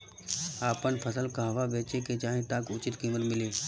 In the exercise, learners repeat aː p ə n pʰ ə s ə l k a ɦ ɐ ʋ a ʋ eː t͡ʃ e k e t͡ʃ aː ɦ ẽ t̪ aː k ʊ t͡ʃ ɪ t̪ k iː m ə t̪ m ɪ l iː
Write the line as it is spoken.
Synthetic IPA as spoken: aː p ə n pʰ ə s ə l k a ɦ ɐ ʋ a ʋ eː t͡ʃ e k e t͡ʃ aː ɦ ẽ t̪ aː k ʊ t͡ʃ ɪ t̪ k iː m ə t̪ m ɪ l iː